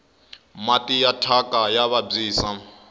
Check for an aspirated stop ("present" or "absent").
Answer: present